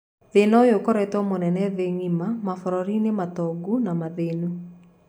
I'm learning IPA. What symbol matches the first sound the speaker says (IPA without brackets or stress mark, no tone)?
ð